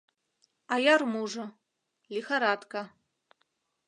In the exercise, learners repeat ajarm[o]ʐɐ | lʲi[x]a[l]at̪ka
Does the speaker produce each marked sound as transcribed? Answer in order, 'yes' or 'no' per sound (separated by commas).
no, yes, no